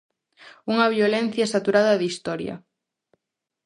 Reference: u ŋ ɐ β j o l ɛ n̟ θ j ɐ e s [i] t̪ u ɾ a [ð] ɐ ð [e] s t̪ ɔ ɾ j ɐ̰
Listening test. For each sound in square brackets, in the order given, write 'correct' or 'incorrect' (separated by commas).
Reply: incorrect, correct, incorrect